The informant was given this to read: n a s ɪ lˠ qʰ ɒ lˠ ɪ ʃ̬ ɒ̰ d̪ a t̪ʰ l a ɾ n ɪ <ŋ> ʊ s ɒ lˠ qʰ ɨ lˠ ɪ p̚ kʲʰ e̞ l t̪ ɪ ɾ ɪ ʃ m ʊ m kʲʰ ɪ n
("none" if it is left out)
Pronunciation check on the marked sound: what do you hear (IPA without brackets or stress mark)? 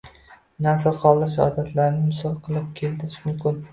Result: m